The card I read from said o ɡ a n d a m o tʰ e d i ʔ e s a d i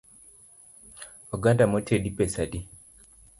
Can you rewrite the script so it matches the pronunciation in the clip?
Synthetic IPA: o ɡ a n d a m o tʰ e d i p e s a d i

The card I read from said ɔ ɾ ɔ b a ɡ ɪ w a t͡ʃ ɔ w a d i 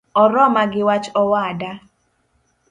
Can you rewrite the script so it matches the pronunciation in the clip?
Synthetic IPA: ɔ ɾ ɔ m a ɡ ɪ w a t͡ʃ ɔ w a d a

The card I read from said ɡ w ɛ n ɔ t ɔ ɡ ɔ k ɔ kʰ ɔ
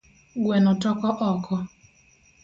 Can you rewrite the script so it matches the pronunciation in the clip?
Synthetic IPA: ɡ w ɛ n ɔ t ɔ k ɔ ʔ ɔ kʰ ɔ

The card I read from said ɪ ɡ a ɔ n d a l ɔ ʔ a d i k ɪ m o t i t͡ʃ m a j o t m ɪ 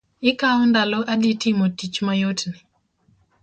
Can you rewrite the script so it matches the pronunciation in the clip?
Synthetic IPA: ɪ k a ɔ n d a l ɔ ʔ a d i t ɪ m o t i t͡ʃ m a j o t n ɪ

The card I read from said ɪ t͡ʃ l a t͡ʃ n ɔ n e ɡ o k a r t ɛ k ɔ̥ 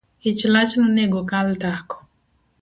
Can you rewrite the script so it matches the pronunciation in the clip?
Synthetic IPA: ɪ t͡ʃ l a t͡ʃ n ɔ n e ɡ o k a l t a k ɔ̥

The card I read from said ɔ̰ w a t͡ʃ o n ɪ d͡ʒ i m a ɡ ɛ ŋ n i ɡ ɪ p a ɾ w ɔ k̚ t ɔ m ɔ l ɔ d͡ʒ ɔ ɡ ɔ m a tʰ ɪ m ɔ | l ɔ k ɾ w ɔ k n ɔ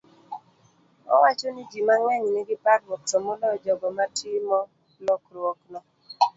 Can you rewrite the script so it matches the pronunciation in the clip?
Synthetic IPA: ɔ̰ w a t͡ʃ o n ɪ d͡ʒ i m a ŋ ɛ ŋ n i ɡ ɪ p a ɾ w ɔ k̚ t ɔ m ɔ l ɔ d͡ʒ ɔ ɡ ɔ m a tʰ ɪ m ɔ | l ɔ k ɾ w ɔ k n ɔ

